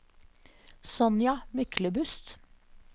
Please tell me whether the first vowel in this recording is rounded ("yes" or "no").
yes